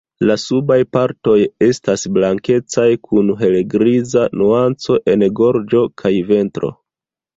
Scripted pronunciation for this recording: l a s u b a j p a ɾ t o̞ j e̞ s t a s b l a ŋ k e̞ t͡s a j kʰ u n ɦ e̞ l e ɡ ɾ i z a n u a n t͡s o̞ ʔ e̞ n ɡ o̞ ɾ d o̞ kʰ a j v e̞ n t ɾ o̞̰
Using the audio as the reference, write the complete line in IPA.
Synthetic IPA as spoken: l a s u b a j p a ɾ t o̞ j e̞ s t a s b l a ŋ k e̞ t͡s a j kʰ u n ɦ e̞ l e ɡ ɾ i z a n u a n t͡s o̞ ʔ e̞ n ɡ o̞ ɾ d͡ʒ o̞ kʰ a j v e̞ n t ɾ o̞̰